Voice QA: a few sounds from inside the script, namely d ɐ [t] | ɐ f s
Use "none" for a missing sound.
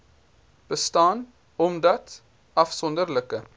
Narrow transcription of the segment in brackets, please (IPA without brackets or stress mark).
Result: t